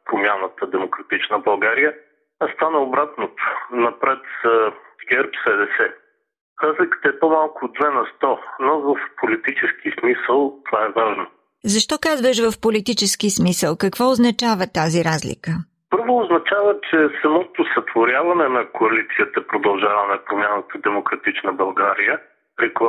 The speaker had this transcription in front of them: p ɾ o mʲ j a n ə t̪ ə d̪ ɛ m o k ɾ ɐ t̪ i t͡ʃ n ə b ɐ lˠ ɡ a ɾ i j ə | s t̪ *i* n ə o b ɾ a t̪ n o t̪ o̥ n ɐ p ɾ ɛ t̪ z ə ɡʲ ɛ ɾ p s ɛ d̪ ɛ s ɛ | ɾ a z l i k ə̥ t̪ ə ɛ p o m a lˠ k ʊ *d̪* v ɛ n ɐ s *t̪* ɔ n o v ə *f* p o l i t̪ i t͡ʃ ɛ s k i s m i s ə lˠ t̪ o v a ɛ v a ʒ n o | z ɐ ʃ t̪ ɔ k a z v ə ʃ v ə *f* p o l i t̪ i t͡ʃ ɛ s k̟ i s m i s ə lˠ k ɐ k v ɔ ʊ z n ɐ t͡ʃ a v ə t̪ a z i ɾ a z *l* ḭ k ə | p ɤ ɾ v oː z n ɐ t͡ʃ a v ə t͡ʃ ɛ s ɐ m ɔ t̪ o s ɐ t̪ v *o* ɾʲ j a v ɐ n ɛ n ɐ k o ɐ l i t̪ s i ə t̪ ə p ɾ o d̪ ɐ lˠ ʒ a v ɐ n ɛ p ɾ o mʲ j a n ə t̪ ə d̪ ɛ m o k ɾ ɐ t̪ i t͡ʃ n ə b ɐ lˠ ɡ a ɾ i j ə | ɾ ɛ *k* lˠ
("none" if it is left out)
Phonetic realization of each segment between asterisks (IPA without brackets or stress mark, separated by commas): a, d̪, t̪, f, f, l, o, k